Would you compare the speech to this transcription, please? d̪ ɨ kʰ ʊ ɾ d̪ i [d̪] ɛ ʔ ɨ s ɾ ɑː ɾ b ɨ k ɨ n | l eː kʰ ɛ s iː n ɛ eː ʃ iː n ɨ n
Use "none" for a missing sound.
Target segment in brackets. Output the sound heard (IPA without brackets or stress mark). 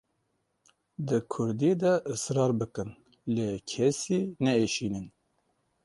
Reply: d̪